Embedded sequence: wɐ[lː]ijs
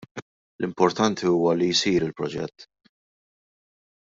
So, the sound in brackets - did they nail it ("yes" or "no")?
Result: no